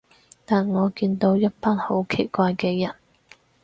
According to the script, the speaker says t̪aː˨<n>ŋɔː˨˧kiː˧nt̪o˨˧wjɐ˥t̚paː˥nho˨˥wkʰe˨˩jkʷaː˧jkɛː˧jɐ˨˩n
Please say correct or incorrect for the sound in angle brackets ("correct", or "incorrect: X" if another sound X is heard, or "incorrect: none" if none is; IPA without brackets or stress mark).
correct